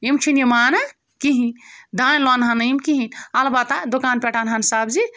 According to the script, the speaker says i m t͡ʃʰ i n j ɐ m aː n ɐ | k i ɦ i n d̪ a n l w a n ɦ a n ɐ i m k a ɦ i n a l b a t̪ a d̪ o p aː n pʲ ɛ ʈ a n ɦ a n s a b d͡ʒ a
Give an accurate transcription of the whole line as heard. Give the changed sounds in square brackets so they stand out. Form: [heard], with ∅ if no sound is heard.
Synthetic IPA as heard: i m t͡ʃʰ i n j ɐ m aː n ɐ | k i ɦ i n d̪ a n l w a n ɦ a n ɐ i m k [i] ɦ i n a l b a t̪ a d̪ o [k] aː n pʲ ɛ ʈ a n ɦ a n s a b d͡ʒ [i]